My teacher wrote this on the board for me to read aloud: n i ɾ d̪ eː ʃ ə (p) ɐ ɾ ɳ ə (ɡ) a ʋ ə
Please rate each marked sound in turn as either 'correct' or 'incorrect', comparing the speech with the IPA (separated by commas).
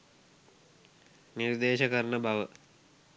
incorrect, incorrect